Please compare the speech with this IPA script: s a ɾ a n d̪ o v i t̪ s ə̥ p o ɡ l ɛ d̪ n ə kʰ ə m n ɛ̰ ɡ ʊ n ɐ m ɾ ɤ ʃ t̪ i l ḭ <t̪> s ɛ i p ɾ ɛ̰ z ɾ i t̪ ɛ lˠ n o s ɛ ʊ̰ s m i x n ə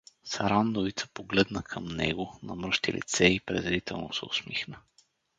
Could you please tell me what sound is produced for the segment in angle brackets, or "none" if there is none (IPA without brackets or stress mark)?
t̪